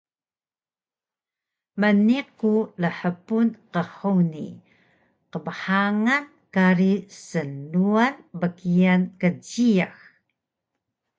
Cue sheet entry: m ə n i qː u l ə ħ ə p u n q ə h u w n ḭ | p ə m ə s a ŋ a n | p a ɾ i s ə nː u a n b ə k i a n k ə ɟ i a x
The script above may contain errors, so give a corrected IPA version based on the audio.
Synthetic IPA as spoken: m ə n i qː u l ə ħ ə p u n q ə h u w n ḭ | q ə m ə ħ a ŋ a n | k a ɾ i s ə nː u a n b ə k i a n k ə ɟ i a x

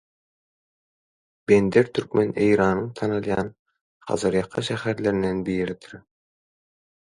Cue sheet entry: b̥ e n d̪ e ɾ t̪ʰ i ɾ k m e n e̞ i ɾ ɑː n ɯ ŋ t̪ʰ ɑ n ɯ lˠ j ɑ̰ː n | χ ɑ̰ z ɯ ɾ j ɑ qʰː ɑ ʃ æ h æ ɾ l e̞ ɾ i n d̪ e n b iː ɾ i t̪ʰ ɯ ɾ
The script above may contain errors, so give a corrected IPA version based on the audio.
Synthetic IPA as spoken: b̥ e n d̪ e ɾ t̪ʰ y ɾ k m e n e̞ j ɾ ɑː n ɯ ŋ t̪ʰ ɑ n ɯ lˠ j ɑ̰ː n | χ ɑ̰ z ɯ ɾ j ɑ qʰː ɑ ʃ æ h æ ɾ l e̞ ɾ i n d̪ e n b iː ɾ i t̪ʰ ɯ ɾ

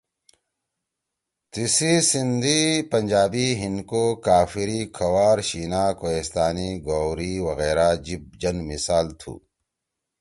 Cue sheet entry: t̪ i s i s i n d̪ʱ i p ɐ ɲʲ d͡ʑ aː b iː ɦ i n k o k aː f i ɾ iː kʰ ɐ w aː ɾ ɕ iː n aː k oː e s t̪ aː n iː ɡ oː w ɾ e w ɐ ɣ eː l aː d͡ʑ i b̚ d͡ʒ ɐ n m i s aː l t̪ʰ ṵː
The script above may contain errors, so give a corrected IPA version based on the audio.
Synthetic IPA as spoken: t̪ i s i s i n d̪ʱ i p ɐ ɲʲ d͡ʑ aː b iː ɦ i n k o k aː f i ɾ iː kʰ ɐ w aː ɾ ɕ iː n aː k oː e s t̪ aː n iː ɡ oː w ɾ i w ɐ ɣ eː ɾ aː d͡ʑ i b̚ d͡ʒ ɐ n m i s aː l t̪ʰ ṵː

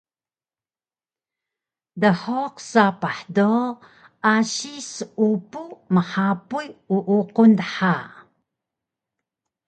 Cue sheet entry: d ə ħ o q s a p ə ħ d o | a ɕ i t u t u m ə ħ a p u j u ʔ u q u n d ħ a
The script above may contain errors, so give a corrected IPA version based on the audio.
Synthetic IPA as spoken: d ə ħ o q s a p a ħ d o | a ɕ i s u p u m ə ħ a p u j u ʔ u q u n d ħ a

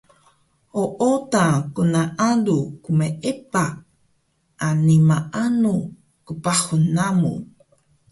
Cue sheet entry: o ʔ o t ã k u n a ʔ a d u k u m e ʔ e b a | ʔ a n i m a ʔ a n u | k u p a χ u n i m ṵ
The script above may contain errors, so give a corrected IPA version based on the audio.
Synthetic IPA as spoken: o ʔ o t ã k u n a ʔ a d u k u m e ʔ e p a | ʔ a n i m a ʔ a n u | k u p a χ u n a m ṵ

